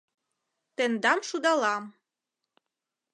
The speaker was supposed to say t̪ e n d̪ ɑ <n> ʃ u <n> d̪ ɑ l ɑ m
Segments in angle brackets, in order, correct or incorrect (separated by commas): incorrect, incorrect